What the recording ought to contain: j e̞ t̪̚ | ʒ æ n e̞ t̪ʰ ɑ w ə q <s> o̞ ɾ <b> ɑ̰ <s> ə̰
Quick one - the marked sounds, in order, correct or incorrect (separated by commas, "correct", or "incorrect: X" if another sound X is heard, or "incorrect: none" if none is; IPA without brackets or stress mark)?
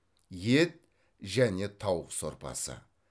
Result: correct, incorrect: p, correct